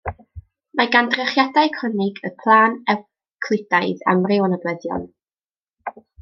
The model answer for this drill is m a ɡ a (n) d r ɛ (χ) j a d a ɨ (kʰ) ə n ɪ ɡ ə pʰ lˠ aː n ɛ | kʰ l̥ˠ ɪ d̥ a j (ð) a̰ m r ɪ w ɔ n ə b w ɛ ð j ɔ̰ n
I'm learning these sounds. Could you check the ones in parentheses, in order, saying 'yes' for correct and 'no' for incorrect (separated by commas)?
yes, yes, yes, yes